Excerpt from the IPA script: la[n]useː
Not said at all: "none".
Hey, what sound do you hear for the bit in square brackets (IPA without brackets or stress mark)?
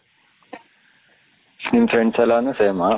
n